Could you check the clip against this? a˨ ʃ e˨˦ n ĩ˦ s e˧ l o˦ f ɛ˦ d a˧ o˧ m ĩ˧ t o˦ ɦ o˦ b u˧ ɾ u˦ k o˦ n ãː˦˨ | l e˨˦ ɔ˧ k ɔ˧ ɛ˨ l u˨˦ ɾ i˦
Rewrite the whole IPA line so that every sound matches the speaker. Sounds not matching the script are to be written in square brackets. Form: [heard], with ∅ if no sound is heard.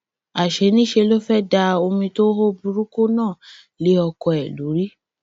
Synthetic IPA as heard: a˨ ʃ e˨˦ n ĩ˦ [ʃ] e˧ l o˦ f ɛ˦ d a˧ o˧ m ĩ˧ t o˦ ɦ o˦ b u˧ ɾ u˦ k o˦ n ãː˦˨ | l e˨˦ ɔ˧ k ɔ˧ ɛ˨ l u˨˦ ɾ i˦